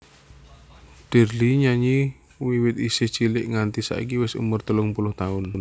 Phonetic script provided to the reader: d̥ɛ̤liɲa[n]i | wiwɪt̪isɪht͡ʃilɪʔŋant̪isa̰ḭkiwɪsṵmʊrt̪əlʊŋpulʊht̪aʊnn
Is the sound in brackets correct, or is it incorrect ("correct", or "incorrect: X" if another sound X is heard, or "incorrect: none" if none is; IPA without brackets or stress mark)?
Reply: incorrect: ɲ